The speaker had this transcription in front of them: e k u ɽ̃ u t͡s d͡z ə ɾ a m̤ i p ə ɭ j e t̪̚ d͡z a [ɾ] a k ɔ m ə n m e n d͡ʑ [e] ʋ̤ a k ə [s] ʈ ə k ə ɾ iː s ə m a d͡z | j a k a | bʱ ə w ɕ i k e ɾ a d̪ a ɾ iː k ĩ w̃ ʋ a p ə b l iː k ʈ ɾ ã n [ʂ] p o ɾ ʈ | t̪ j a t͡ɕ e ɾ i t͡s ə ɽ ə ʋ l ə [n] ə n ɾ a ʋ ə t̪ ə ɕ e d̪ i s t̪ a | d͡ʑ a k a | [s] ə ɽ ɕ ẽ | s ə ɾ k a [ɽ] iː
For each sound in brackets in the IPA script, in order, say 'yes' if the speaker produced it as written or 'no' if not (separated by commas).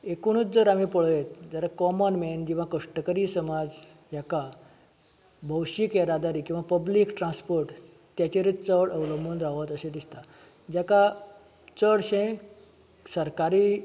yes, no, no, no, no, no, no